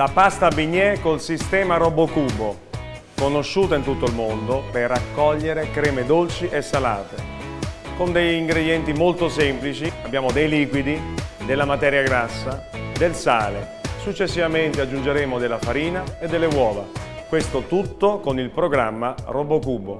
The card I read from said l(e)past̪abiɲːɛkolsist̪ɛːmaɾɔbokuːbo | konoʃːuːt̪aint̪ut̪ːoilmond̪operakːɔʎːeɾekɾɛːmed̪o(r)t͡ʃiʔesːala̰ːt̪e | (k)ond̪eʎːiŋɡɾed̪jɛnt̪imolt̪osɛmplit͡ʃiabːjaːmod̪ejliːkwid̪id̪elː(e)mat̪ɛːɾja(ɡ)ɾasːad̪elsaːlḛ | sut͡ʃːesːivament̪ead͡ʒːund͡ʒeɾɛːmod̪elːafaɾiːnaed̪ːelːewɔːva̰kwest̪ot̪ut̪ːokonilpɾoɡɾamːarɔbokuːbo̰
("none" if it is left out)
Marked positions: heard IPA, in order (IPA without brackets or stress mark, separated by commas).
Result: a, l, k, a, ɡ